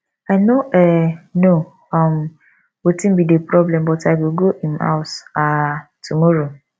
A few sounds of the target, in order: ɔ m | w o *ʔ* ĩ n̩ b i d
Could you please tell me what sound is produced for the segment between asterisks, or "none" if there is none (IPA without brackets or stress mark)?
t